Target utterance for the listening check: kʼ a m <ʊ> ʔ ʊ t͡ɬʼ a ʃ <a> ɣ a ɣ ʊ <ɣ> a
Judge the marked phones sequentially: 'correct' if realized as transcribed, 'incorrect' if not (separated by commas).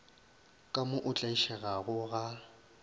correct, incorrect, correct